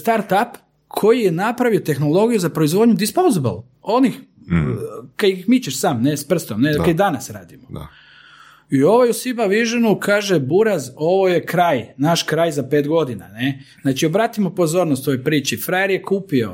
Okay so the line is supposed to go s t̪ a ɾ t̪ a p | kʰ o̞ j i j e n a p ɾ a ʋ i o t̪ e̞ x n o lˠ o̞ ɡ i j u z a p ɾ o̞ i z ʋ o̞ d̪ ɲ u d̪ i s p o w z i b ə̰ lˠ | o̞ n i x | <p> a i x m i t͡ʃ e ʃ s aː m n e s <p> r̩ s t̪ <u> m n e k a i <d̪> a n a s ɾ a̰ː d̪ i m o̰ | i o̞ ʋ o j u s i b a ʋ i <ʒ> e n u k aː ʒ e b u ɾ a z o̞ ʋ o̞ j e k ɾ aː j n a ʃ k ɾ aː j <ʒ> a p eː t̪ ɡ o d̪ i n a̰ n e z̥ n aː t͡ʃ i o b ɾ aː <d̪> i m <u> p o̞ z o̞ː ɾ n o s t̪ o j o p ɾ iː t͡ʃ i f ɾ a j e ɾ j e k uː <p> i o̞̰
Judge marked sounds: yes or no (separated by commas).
no, yes, no, yes, yes, no, no, no, yes